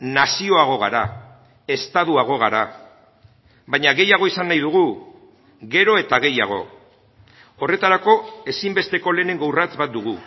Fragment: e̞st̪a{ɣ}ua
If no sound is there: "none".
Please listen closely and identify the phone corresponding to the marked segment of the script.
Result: ð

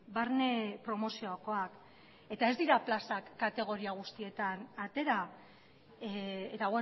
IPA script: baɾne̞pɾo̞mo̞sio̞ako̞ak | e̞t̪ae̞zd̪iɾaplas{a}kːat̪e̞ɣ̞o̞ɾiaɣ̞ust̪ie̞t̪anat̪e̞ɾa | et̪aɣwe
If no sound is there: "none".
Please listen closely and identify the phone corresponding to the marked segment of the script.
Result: a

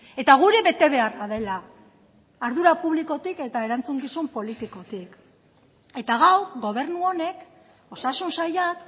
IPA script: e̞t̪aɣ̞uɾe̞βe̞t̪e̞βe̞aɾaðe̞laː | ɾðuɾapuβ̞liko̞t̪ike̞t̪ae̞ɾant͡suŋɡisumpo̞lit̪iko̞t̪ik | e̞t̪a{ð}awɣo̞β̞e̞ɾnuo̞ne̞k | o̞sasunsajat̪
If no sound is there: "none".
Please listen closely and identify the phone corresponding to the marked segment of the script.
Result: ɣ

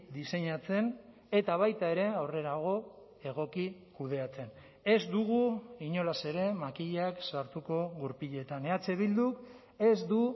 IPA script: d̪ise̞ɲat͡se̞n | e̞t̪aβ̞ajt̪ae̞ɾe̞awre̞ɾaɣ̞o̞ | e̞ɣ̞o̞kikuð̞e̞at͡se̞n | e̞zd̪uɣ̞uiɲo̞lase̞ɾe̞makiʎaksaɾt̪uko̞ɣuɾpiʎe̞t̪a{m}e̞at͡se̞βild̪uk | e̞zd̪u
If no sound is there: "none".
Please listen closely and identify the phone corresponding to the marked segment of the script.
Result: n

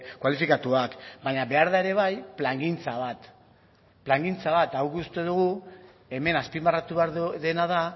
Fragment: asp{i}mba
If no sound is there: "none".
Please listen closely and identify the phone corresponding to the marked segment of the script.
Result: i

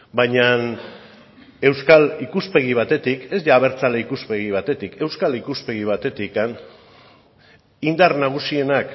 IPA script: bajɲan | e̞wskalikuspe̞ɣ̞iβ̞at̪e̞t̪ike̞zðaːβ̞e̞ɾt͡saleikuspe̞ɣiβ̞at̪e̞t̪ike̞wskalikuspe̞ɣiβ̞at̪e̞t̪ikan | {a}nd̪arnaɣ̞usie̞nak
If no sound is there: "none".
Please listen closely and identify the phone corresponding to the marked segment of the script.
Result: i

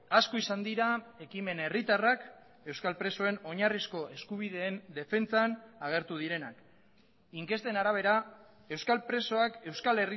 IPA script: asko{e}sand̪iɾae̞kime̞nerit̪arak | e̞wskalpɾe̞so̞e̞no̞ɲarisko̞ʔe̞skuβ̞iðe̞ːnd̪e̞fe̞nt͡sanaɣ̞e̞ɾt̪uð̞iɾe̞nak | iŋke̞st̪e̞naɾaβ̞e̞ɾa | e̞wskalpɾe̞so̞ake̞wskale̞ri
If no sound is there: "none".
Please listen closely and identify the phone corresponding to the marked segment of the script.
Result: i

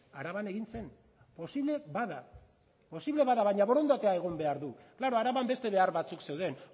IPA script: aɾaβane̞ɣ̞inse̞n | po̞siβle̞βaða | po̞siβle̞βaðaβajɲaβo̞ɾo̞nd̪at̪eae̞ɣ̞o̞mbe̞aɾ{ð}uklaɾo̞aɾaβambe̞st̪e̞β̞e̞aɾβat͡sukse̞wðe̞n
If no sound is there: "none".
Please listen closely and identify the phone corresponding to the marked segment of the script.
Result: ð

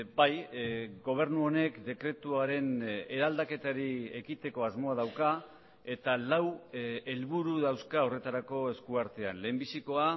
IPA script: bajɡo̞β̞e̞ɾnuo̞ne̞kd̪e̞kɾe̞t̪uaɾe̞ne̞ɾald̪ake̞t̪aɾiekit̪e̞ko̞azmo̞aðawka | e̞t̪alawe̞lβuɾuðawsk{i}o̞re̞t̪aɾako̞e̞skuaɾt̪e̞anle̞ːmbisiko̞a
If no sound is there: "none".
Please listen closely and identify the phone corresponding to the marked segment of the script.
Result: a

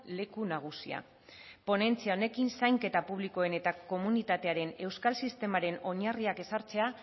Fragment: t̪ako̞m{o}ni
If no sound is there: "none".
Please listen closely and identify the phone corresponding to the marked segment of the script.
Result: u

